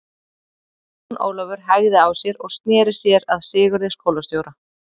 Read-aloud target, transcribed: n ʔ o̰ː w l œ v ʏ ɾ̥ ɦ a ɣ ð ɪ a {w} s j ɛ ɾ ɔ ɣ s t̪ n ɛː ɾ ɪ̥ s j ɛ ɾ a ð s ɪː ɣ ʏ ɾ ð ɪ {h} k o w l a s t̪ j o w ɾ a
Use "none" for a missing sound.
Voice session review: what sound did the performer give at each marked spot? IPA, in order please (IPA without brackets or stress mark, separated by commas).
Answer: w, s